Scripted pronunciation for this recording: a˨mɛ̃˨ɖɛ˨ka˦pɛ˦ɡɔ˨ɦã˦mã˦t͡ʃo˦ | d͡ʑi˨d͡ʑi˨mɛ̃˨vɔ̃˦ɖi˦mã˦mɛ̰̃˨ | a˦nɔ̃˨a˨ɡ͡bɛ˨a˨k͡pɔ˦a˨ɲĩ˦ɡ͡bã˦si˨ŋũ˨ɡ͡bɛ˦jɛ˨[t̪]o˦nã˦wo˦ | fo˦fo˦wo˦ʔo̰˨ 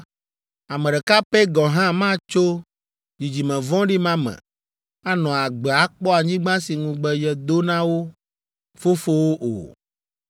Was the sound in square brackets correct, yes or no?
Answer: no